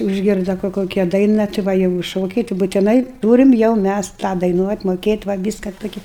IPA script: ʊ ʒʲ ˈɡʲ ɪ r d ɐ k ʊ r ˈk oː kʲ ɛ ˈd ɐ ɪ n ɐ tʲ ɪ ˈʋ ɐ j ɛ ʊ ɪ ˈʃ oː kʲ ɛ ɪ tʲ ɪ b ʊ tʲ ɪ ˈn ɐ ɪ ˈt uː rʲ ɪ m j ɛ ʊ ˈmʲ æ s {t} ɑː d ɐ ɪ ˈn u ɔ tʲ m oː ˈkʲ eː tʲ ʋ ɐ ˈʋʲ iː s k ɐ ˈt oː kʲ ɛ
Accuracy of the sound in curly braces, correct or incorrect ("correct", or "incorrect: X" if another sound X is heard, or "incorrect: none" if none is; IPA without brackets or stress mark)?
correct